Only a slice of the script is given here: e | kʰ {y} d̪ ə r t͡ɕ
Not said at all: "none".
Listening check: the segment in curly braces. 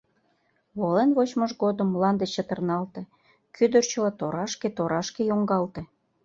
y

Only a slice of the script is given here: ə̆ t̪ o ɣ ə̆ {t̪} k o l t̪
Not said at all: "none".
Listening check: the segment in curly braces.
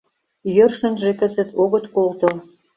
t̪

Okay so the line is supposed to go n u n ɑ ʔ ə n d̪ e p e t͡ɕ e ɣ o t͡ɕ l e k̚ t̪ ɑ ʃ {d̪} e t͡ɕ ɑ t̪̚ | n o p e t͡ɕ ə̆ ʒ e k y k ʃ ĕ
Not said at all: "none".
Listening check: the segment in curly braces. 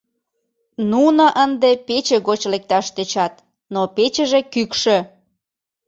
t̪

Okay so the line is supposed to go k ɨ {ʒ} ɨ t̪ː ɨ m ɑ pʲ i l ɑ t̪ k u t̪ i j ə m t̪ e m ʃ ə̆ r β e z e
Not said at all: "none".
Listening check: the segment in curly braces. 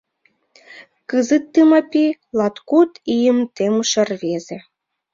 z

